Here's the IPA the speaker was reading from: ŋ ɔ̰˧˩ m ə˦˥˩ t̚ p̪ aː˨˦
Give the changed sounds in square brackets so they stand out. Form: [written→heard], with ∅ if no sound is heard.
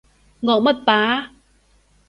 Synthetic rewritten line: ŋ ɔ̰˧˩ m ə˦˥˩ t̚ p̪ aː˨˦